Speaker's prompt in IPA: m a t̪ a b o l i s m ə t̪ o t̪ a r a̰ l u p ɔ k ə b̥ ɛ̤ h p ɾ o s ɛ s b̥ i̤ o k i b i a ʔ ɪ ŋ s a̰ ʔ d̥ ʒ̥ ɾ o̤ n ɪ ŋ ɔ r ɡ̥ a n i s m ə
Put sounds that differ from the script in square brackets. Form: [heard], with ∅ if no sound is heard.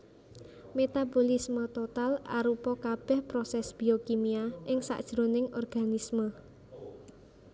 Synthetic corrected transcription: m [e] t̪ a b o l i s m ə t̪ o t̪ a [l] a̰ [ɾ] u p ɔ k [a] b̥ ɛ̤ h p ɾ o s ɛ s b̥ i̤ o k i [m] i a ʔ ɪ ŋ s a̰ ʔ d̥ ʒ̥ ɾ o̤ n ɪ ŋ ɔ r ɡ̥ a n i s m ə